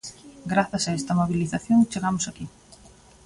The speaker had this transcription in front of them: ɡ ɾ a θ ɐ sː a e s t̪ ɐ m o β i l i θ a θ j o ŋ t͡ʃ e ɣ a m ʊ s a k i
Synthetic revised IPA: ɡ ɾ a θ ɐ s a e s t̪ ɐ m o β i l i θ a θ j o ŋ t͡ʃ e ɣ a m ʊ s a k i

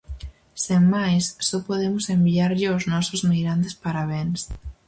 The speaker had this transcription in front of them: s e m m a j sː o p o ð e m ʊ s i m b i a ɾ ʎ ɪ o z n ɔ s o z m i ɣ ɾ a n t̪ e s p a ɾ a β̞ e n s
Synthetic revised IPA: s e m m a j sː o p o ð e m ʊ s e m b i a ɾ ʎ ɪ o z n ɔ s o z m i ɣ ɾ a n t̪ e s p a ɾ a β̞ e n s

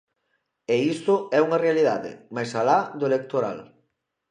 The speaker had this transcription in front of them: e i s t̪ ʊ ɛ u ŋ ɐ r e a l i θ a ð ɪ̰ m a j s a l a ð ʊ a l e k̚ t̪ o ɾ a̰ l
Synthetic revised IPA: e i s t̪ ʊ ɛ u ŋ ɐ r e a l i ð a ð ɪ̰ m a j s a l a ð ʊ e l e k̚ t̪ o ɾ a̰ l

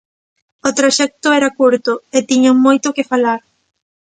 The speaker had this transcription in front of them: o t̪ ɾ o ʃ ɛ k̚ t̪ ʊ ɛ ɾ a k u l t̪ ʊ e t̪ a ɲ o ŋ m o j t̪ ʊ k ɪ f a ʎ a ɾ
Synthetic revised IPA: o t̪ ɾ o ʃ ɛ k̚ t̪ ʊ ɛ ɾ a k u ɾ t̪ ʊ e t̪ i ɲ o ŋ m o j t̪ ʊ k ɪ f a l a ɾ

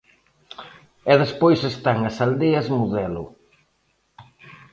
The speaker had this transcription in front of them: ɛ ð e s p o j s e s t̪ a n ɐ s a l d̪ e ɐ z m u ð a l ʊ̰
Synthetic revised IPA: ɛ ð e s p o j s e s t̪ a ŋ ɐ s a l d̪ e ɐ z m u ð ɛ l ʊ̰

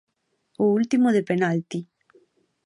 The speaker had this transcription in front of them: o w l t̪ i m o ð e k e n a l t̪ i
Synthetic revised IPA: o u l t̪ i m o ð e p e n a l t̪ i

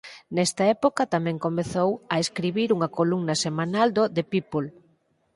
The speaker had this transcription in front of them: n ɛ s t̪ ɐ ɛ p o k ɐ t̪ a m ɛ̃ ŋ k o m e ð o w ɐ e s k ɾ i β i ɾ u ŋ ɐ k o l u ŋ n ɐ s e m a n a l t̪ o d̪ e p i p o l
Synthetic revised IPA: n ɛ s t̪ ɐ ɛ p o k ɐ t̪ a m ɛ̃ ŋ k o m e θ o w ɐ e s k ɾ i β i ɾ u ŋ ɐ k o l u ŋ n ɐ s e m a n a l d̪ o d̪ e p i p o l

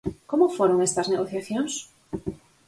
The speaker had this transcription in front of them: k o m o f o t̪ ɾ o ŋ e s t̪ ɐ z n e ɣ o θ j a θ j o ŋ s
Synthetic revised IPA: k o m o f o ɾ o ŋ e s t̪ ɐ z n e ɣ o θ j a θ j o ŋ s

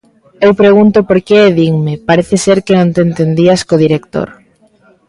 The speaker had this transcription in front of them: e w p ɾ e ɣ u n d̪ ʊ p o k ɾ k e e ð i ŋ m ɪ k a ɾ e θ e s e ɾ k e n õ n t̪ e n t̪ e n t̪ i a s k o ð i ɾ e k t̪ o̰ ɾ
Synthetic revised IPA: e w p ɾ e ɣ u n t̪ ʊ p o ɾ k e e ð i ŋ m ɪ p a ɾ e θ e s e ɾ k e n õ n t̪ e n t̪ e n d̪ i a s k o ð i ɾ e k t̪ o̰ ɾ

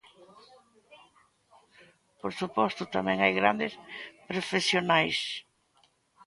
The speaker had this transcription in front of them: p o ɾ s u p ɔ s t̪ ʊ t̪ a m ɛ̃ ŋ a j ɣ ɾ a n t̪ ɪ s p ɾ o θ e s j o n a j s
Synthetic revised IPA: p o ɾ s u p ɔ s t̪ ʊ t̪ a m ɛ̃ ŋ a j ɣ ɾ a n d̪ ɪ s p ɾ o f e s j o n a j s

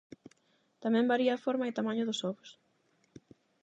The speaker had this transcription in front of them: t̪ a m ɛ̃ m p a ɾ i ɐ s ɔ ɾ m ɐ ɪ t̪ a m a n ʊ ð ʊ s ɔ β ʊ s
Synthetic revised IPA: t̪ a m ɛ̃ m b a ɾ i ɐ f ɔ ɾ m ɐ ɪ t̪ a m a ɲ ʊ ð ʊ s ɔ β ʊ s

